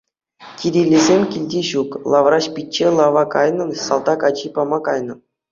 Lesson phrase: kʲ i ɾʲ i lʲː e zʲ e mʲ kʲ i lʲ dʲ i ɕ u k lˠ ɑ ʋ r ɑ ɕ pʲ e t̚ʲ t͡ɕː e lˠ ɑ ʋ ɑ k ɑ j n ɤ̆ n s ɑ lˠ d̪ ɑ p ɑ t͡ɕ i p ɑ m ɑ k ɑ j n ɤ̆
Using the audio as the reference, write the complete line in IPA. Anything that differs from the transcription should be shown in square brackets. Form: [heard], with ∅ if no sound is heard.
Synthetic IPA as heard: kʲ i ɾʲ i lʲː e zʲ e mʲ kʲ i lʲ dʲ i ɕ u k lˠ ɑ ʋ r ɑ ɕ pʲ [i] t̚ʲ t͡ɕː e lˠ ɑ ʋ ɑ k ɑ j n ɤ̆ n s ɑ lˠ d̪ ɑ [k] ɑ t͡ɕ i p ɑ m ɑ k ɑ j n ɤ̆